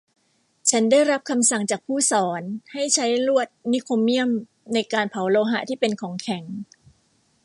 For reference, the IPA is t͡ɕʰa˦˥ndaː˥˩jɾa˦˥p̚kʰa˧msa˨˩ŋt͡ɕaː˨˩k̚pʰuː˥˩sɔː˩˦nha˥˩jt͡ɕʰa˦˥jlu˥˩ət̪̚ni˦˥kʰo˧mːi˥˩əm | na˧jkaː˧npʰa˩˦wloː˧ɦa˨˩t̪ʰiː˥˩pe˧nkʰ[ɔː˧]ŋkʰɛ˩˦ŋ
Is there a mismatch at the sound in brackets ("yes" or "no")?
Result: yes